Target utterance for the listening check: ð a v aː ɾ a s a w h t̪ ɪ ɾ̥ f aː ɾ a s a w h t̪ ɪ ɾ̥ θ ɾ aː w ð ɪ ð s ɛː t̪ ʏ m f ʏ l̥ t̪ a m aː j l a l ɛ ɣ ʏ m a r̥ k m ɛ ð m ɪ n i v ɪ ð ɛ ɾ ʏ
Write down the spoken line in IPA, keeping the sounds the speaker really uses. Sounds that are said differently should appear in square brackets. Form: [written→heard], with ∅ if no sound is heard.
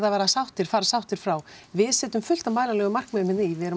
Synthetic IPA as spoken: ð a v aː ɾ a s a w h t̪ ɪ ɾ̥ f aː ɾ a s a w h t̪ ɪ ɾ̥ [θ→f] ɾ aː w [ð→v] ɪ ð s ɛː t̪ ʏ m f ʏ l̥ t̪ a m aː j l a l ɛ ɣ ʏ m a r̥ k m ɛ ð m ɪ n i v ɪ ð ɛ ɾ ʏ